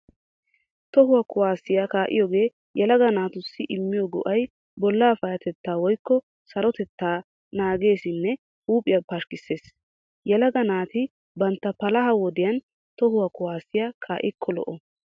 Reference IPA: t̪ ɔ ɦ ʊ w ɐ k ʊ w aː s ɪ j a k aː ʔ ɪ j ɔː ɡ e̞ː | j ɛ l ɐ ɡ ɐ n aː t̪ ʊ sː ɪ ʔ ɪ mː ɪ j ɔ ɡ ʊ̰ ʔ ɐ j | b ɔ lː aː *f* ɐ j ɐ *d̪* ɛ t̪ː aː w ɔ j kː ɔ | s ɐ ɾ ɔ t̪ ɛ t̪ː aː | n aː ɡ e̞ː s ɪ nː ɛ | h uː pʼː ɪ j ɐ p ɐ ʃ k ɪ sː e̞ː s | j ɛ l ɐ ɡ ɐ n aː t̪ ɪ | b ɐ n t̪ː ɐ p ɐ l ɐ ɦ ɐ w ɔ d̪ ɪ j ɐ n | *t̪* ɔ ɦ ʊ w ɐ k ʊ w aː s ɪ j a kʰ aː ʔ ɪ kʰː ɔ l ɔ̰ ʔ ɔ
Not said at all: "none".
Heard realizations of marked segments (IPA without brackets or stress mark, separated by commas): f, t̪, t̪